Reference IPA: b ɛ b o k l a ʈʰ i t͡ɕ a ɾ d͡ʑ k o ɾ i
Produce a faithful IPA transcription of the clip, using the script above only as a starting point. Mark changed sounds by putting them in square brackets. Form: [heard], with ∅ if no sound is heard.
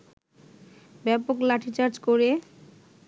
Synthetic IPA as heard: b ɛ [p] o k l a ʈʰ i t͡ɕ a ɾ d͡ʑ k o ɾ [e]